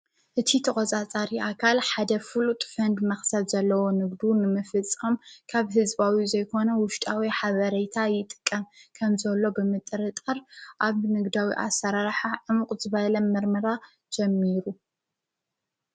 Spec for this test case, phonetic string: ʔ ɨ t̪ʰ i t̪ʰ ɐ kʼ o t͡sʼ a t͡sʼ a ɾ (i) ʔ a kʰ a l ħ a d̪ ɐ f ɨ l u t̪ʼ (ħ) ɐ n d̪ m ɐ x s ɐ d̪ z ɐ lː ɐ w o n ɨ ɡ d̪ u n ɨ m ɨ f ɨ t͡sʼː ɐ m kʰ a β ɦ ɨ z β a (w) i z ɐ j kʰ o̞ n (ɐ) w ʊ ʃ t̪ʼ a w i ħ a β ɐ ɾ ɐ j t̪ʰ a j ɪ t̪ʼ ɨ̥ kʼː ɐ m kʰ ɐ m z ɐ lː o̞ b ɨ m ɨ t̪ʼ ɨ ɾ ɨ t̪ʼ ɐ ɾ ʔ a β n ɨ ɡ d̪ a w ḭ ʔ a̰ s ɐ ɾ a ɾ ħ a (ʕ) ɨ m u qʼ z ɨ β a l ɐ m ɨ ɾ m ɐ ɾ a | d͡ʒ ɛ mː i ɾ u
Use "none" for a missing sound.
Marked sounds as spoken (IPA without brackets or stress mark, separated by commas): i, f, w, ɐ, ʕ